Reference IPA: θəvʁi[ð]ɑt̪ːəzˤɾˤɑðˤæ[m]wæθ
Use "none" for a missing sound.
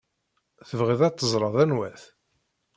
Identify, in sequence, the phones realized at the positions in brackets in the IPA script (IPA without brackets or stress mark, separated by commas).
ð, n